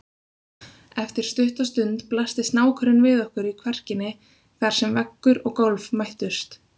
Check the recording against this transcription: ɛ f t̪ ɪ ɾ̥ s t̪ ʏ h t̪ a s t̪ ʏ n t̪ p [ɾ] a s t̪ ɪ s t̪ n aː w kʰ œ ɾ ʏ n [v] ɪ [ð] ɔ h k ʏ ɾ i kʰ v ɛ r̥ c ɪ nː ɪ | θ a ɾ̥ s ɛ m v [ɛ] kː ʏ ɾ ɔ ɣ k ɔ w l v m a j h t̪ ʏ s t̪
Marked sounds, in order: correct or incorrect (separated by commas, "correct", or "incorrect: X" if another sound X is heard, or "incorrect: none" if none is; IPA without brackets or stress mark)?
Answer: incorrect: l, correct, correct, correct